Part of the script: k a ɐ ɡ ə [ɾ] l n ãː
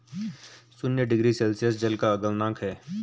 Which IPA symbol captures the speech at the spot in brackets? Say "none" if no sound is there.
none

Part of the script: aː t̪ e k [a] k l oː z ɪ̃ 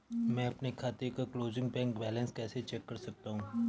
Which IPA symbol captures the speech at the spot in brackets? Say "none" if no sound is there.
a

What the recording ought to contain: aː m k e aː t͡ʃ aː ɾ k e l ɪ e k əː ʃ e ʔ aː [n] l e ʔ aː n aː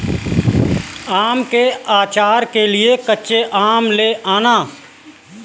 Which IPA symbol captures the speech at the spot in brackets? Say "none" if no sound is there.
m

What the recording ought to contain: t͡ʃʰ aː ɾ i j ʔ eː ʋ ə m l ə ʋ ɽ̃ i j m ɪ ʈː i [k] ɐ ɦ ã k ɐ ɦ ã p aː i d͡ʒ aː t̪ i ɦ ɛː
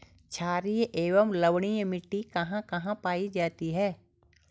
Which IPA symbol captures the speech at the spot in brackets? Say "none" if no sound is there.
k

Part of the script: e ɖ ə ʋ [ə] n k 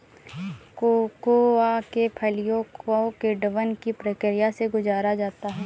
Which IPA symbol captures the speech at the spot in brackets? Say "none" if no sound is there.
ə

